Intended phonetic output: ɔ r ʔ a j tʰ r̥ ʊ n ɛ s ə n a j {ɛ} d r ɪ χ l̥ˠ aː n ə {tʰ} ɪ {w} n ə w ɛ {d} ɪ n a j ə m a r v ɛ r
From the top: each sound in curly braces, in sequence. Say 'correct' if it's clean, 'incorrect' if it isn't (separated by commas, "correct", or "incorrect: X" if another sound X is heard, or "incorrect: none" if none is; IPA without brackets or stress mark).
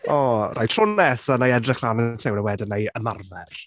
correct, correct, correct, correct